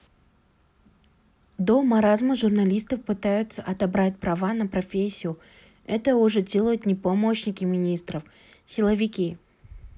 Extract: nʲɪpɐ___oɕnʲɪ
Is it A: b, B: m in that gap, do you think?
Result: B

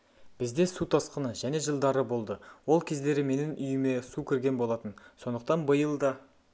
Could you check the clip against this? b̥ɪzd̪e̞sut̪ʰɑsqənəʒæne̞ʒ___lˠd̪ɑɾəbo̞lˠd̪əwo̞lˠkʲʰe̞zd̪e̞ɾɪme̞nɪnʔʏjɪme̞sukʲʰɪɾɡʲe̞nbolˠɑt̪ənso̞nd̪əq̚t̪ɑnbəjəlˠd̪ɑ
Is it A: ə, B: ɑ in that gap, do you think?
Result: A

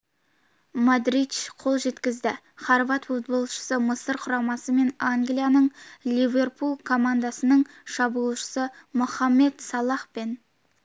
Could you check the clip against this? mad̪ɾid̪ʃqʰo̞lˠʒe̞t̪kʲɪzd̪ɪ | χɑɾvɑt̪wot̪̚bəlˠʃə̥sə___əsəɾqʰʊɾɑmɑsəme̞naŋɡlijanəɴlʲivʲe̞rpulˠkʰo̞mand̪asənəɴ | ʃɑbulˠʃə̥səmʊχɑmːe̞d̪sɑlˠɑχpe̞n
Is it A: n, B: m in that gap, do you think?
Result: B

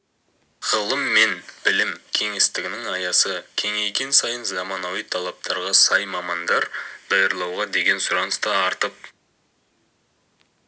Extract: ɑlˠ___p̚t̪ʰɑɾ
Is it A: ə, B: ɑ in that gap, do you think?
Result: B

